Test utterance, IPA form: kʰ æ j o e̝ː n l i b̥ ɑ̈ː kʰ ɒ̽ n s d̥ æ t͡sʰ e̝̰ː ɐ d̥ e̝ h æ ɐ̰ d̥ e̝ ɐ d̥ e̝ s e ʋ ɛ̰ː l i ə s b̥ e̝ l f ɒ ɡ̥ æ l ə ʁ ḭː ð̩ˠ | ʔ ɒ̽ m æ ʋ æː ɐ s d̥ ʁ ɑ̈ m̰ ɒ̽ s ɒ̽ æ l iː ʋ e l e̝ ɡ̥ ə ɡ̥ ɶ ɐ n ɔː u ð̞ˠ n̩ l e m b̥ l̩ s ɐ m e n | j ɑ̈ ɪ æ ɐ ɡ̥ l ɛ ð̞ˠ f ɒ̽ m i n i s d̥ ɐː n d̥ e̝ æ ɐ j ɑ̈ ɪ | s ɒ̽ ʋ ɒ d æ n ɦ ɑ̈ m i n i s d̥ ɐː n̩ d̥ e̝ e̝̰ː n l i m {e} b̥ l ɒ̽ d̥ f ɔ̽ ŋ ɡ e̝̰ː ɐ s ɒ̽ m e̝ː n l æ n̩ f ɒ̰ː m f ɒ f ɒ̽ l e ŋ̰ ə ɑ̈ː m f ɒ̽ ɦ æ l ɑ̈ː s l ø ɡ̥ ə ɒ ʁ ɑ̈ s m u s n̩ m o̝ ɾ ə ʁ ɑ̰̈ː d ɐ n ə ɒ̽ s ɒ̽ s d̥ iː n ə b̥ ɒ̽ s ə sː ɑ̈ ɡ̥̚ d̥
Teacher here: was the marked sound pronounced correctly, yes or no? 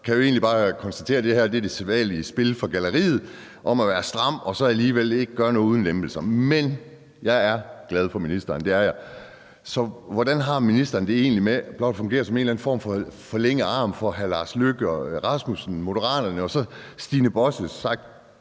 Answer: yes